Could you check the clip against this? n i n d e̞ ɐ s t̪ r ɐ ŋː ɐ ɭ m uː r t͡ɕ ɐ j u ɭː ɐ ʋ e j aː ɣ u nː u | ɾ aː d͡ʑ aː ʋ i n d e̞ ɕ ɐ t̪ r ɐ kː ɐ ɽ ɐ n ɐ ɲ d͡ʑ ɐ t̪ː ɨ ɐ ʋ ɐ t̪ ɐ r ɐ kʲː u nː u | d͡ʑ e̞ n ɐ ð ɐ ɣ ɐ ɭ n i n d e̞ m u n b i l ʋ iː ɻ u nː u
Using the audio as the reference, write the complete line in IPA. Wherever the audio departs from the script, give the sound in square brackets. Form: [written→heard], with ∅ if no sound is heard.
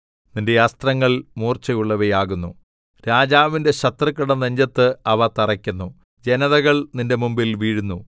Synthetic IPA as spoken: n i n d e̞ ɐ s t̪ r ɐ ŋː ɐ ɭ m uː r t͡ɕ ɐ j u ɭː ɐ ʋ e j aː ɣ u nː u | ɾ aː d͡ʑ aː ʋ i n d e̞ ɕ ɐ t̪ r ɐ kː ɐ ɽ ɐ n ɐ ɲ d͡ʑ ɐ t̪ː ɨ ɐ ʋ ɐ t̪ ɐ r ɐ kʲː u nː u | d͡ʑ e̞ n ɐ ð ɐ ɣ ɐ ɭ n i n d e̞ m u [n→m] b i l ʋ iː ɻ u nː u